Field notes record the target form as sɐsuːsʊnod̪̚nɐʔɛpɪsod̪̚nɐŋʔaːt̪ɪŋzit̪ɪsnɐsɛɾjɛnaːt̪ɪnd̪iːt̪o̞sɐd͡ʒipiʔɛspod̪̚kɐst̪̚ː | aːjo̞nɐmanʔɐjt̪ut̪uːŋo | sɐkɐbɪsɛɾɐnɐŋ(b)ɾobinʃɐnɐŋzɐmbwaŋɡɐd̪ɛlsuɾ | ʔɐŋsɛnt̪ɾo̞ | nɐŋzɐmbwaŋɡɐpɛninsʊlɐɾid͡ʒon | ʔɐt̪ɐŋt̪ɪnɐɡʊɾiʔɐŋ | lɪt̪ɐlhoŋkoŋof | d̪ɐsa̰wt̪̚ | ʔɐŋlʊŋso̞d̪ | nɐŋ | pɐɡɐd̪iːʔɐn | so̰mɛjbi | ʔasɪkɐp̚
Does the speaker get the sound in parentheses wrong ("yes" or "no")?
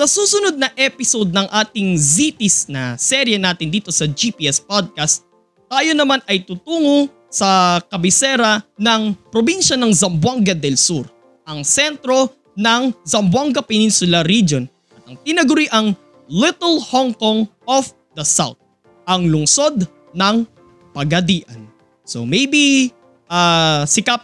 yes